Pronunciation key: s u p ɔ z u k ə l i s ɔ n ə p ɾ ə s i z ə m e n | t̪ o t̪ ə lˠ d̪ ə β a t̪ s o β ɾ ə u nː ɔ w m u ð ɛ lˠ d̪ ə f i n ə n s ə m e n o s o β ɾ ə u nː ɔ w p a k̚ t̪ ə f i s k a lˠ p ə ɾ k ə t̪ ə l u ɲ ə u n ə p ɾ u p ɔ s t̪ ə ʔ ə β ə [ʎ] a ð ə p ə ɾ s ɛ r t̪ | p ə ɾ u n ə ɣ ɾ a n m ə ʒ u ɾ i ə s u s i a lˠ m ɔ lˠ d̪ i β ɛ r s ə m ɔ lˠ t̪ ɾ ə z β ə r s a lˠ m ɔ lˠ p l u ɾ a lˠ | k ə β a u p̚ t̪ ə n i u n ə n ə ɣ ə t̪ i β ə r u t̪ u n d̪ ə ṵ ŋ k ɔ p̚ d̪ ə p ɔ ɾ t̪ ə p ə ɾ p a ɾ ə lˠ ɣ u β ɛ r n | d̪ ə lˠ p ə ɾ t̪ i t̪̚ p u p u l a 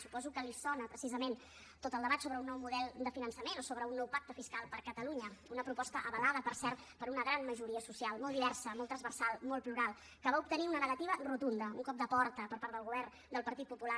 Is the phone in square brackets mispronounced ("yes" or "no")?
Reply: yes